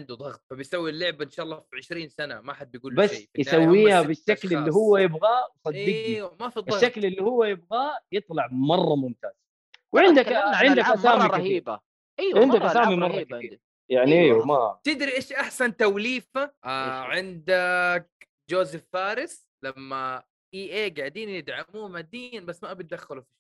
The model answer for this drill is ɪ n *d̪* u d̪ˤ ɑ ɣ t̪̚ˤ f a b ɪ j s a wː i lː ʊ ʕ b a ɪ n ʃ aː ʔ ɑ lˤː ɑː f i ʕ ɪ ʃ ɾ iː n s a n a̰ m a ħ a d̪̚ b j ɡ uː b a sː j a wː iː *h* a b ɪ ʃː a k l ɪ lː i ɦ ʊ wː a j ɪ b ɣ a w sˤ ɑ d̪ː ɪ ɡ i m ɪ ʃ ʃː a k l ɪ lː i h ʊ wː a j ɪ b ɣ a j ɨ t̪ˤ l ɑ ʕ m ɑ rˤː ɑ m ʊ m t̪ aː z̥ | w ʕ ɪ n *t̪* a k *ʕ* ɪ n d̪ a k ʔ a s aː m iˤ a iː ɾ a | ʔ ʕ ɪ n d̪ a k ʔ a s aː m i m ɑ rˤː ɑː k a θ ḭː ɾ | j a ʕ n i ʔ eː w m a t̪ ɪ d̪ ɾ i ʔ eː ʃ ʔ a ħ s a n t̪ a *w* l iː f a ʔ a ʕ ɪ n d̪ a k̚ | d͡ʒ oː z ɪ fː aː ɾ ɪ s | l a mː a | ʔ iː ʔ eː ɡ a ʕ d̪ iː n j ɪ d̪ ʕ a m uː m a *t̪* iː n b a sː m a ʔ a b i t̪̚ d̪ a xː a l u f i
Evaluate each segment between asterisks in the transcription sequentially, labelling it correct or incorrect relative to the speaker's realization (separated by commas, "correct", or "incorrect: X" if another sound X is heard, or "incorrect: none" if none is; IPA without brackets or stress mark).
correct, correct, incorrect: d̪, correct, correct, incorrect: d̪